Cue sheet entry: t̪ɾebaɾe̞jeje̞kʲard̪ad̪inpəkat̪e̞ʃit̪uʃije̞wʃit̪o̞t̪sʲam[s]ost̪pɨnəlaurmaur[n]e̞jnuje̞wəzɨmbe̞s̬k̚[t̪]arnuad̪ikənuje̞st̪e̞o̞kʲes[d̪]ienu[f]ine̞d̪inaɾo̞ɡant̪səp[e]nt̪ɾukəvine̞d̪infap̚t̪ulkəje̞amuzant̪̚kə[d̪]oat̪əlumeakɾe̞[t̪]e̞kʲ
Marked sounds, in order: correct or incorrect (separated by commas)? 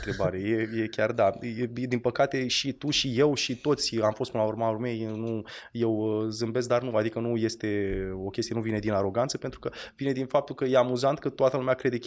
incorrect, incorrect, incorrect, incorrect, incorrect, correct, incorrect, incorrect